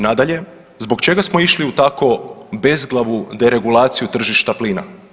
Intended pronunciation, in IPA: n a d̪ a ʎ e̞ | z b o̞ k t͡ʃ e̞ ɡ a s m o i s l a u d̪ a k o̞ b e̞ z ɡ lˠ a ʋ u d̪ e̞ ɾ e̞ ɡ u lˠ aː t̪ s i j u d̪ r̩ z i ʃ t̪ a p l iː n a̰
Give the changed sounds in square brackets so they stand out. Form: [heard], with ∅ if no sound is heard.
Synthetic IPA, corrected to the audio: n a d̪ a ʎ e̞ | z b o̞ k t͡ʃ e̞ ɡ a s m o i [ʃ] l [i] u [t̪] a k o̞ b e̞ z ɡ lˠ a ʋ u d̪ e̞ ɾ e̞ ɡ u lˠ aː t̪ s i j u [t̪] r̩ [ʒ] i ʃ t̪ a p l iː n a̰